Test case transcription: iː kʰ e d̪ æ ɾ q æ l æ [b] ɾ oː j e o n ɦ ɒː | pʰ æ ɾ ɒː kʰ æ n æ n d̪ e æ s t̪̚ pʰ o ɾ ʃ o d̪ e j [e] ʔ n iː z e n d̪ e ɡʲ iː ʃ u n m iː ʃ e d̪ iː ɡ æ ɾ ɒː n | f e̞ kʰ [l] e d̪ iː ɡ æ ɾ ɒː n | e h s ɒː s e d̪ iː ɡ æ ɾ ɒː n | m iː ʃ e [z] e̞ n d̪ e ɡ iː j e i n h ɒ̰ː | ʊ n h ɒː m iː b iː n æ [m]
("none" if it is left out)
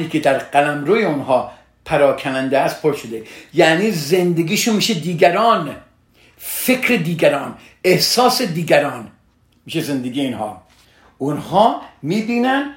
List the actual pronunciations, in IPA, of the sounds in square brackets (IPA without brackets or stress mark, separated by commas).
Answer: m, æ, ɾ, z, n